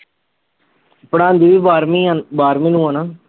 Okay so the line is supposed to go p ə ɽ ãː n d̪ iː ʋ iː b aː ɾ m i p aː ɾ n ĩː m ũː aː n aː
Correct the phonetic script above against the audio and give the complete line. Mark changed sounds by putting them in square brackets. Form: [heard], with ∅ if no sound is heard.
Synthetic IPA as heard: p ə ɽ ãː n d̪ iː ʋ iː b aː ɾ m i [b] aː ɾ [m] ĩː [n] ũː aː n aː